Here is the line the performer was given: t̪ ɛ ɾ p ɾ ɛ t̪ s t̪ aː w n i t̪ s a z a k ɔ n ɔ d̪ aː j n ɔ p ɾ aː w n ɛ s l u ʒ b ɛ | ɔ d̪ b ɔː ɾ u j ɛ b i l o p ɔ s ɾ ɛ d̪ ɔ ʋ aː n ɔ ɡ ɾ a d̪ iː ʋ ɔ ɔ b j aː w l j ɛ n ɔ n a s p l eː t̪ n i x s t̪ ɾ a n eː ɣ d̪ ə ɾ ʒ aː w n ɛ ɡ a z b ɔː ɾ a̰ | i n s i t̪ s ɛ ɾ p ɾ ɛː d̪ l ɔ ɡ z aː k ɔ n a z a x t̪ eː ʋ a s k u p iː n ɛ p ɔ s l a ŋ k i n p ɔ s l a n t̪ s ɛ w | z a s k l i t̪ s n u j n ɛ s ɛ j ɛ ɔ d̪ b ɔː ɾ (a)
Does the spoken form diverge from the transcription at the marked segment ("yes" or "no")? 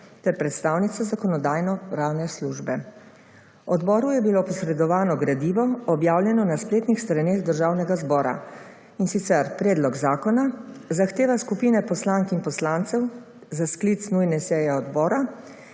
no